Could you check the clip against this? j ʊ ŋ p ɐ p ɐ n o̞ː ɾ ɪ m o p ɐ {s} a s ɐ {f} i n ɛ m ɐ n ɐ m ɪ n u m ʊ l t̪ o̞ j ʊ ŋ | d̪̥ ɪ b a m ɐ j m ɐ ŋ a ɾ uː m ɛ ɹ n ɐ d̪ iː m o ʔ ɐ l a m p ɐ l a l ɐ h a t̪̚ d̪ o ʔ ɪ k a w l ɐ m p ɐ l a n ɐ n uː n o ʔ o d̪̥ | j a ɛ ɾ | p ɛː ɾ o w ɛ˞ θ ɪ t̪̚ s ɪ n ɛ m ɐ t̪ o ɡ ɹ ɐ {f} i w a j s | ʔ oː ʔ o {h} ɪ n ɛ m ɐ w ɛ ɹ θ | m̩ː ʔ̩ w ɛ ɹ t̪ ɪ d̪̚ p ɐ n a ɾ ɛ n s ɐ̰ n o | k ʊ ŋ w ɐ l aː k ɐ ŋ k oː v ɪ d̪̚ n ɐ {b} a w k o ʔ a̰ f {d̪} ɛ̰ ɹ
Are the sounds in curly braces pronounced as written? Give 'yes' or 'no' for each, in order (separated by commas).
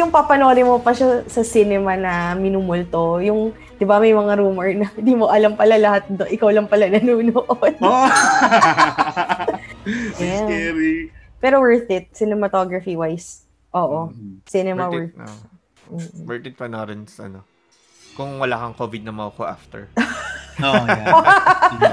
no, no, yes, no, no, no